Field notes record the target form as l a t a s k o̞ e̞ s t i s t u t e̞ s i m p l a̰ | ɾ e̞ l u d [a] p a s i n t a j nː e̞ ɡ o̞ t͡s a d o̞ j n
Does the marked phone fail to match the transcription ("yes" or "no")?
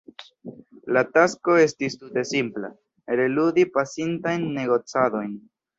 yes